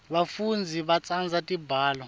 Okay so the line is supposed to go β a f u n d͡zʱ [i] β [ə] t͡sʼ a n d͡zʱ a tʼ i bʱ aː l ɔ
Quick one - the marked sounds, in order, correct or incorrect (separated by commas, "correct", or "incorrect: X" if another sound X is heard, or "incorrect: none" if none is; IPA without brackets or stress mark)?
correct, incorrect: a